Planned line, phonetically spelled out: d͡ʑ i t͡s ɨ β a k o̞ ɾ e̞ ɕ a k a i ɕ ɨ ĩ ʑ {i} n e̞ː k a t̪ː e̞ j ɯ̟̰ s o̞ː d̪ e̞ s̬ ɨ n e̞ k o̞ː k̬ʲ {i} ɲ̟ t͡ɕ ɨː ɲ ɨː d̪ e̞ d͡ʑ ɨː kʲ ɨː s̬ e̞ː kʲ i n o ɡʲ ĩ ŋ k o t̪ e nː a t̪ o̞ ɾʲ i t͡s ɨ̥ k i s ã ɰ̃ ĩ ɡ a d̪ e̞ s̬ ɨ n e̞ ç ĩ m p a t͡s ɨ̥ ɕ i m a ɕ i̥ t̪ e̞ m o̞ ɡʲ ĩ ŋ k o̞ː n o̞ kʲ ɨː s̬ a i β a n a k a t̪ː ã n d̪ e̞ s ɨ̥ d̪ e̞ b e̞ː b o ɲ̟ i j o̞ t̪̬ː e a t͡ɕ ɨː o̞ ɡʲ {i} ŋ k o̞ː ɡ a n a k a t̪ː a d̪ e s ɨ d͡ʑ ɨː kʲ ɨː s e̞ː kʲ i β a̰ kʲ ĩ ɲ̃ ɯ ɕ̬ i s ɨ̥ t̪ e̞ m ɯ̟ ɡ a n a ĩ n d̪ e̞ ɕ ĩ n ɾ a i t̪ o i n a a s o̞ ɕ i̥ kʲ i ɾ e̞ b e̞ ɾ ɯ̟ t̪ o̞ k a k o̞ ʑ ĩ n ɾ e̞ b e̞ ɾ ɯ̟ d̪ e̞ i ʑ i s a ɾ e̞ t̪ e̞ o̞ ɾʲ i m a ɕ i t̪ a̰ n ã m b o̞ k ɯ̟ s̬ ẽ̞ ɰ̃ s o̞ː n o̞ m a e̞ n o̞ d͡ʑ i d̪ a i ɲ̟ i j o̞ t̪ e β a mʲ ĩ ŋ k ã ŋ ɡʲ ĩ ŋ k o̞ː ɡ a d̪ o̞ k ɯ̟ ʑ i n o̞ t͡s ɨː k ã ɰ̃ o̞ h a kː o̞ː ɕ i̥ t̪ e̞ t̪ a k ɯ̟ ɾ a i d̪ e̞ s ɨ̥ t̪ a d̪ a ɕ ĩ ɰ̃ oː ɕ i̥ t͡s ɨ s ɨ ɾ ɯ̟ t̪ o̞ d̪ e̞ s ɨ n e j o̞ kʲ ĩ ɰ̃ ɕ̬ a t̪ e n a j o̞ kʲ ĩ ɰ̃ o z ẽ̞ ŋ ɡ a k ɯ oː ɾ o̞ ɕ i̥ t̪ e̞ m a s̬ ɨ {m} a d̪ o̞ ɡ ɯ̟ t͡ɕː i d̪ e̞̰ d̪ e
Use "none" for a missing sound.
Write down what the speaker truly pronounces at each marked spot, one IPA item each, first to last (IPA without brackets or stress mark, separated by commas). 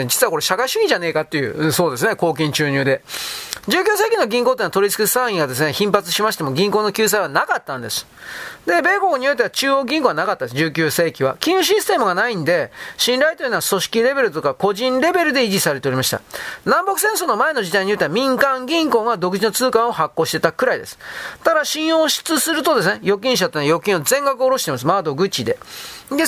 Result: a, ĩ, ĩ, m